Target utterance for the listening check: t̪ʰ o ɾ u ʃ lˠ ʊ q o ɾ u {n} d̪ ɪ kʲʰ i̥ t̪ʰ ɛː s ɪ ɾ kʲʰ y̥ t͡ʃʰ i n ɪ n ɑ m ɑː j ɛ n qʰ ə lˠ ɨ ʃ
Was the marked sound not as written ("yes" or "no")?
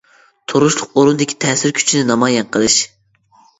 no